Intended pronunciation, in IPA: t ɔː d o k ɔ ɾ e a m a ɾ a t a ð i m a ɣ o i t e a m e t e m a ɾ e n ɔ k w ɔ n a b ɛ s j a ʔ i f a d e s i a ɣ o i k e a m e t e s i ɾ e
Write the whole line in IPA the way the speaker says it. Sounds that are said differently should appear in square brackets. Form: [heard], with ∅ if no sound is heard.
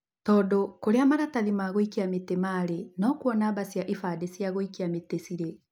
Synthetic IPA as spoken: t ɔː d o k [o] ɾ e a m a ɾ a t a ð i m a ɣ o i [k] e a m e t e m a ɾ e n ɔ k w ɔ n a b [a] s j a ʔ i f a d e s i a ɣ o i k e a m e t e s i ɾ e

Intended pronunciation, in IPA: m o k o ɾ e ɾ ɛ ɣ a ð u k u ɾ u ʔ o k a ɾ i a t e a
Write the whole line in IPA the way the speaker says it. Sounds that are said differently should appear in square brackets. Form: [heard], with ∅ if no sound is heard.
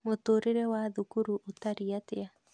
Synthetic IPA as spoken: m o [t] o ɾ e ɾ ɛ [w] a ð u k u ɾ u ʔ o [t] a ɾ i a t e a

